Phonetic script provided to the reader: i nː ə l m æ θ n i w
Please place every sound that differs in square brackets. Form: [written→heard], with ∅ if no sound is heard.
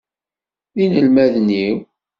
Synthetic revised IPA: i [nː→n] ə l m æ [θ→ð] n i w